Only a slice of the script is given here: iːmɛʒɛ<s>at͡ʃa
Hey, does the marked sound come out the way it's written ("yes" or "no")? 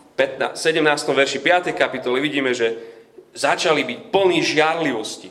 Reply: no